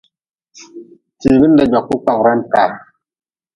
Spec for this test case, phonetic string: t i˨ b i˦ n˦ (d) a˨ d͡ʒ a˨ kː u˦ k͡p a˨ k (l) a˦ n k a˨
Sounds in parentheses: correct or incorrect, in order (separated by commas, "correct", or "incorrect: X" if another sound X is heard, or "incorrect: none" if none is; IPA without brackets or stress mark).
correct, incorrect: ɾ